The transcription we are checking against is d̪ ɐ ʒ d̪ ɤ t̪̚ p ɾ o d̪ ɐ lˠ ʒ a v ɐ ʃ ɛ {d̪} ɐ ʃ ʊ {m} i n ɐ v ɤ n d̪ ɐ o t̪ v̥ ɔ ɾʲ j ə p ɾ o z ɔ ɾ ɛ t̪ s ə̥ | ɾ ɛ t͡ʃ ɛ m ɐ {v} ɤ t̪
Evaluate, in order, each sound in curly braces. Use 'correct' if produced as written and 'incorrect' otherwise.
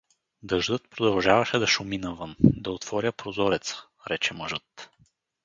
correct, correct, incorrect: ʒ

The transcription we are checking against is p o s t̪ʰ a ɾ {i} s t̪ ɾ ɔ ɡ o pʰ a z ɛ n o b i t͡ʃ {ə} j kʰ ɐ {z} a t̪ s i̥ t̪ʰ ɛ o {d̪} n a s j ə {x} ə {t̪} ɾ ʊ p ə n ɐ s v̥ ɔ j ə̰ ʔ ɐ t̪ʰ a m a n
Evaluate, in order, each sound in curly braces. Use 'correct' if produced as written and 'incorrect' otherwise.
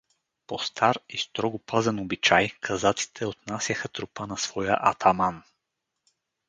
correct, incorrect: a, correct, incorrect: t̪, correct, correct

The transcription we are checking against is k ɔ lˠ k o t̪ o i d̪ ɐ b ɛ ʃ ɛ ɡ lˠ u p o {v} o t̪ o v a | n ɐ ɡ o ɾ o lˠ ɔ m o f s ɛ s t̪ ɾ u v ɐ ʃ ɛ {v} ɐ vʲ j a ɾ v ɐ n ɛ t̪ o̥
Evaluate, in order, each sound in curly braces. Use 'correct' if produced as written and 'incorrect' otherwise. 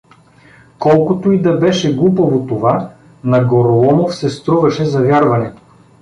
correct, incorrect: z

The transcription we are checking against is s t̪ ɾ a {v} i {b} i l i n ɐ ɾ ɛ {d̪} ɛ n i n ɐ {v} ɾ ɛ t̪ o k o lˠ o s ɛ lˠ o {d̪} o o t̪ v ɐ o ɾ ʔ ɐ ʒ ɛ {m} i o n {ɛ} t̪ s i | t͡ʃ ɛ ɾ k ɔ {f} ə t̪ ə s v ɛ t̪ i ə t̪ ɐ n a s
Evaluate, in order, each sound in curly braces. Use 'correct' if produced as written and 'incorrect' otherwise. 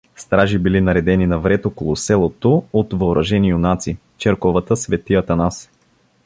incorrect: ʒ, correct, correct, correct, incorrect: t̪, incorrect: n, incorrect: a, incorrect: v

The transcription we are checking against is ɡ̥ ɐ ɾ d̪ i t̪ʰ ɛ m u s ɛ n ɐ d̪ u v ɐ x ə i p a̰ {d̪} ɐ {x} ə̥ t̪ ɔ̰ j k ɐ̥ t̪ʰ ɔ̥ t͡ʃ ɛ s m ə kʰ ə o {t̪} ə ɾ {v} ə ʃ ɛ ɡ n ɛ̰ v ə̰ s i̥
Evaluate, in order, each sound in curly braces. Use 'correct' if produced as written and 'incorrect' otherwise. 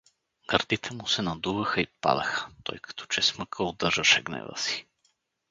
correct, correct, incorrect: d̪, incorrect: ʒ

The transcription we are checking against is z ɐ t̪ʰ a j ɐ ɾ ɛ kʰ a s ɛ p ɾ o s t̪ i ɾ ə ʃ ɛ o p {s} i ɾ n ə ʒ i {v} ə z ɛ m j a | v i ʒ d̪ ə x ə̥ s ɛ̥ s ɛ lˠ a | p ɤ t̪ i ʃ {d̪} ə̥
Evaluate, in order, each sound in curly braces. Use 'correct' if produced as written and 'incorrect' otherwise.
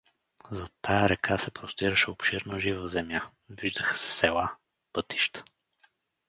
incorrect: ʃ, correct, incorrect: t̪

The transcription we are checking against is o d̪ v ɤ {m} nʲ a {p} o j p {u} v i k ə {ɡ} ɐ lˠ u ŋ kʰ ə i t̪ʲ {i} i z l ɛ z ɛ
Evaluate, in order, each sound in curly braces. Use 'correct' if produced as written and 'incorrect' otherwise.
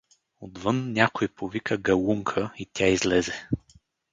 incorrect: n, incorrect: k, incorrect: o, correct, incorrect: a

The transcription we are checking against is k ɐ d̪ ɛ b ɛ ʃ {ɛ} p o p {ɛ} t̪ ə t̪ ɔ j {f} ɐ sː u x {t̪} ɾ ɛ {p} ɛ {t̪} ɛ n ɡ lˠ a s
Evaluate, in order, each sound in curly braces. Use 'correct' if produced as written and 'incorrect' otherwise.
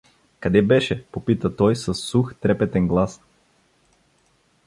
correct, incorrect: i, incorrect: s, correct, correct, correct

